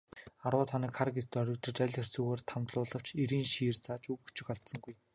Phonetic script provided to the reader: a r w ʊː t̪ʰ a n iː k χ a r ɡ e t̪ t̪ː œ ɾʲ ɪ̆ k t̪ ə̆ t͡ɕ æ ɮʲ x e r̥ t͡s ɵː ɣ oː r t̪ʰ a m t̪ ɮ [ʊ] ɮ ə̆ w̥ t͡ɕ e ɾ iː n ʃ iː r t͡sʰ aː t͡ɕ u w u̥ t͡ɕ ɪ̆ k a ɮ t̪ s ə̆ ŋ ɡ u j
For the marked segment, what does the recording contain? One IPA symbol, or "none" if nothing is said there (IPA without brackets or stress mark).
ʊː